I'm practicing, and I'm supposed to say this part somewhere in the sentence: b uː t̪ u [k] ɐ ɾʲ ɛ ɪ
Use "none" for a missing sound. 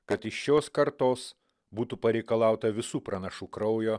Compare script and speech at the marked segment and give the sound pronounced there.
p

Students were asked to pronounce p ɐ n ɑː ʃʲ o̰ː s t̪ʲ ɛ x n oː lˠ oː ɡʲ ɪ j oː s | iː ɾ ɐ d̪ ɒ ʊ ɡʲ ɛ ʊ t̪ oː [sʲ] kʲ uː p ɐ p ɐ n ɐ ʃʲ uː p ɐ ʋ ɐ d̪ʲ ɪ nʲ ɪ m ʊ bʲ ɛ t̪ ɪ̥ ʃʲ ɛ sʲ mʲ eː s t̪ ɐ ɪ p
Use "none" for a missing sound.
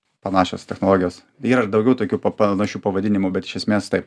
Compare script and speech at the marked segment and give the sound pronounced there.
none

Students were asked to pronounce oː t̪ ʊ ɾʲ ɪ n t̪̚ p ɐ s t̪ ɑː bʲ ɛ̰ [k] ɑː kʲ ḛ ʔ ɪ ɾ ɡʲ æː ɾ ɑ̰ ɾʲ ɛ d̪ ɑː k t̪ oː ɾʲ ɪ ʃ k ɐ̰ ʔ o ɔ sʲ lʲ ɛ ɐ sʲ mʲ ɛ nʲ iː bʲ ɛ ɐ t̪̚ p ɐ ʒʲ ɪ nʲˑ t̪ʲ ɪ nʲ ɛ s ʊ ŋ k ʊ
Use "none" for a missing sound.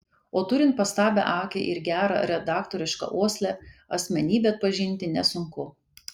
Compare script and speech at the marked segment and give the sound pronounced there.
ʔ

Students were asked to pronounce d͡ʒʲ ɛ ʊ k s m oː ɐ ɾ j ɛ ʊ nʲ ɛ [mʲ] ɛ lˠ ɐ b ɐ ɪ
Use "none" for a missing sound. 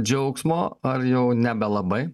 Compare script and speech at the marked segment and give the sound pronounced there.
bʲ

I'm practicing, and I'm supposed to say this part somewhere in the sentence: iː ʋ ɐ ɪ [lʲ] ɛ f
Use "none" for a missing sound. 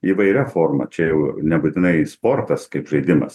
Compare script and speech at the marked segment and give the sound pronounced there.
ɾʲ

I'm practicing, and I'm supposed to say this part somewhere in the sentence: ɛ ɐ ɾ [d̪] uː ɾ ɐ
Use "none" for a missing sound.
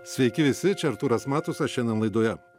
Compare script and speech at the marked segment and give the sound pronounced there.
t̪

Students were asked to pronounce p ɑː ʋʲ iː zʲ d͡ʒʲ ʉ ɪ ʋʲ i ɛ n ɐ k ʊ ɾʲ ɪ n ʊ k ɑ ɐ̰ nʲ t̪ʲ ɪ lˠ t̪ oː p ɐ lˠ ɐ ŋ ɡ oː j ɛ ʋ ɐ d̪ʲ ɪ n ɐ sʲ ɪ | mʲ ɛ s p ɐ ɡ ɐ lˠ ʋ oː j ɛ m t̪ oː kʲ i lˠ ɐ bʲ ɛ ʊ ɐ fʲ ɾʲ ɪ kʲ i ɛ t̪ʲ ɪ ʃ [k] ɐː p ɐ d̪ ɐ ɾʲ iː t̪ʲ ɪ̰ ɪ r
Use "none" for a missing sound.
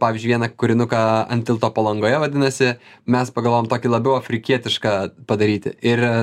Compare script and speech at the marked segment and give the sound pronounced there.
k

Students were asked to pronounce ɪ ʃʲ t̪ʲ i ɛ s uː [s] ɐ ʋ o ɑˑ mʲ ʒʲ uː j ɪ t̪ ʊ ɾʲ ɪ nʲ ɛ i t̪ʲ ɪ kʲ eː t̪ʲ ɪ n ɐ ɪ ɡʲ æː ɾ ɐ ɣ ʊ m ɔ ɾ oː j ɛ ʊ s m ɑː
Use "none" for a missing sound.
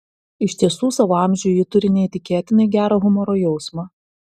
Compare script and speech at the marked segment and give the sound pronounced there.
s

